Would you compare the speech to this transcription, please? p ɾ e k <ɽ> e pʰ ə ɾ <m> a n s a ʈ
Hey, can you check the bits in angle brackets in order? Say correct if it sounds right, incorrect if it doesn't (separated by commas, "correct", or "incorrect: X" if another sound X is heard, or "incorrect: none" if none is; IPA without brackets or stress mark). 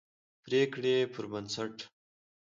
correct, incorrect: b